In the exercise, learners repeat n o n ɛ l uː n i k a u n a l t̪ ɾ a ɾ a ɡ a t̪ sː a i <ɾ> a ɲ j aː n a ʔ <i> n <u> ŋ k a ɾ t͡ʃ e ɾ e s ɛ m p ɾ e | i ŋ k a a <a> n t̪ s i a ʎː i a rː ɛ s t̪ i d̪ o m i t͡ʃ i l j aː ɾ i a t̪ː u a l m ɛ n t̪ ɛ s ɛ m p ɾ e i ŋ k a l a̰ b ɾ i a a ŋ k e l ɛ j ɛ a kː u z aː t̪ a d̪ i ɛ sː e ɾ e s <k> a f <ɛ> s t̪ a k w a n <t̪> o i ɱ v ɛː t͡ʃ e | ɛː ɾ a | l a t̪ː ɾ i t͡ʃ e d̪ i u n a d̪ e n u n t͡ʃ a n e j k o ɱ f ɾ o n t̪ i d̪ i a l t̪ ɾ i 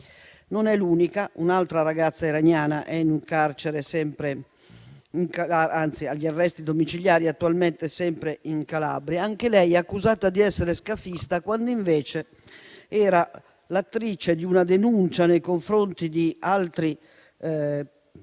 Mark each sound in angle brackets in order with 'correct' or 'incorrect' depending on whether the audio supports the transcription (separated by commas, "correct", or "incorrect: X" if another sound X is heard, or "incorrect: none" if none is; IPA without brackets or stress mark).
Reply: correct, incorrect: ɛ, correct, correct, correct, incorrect: i, incorrect: d̪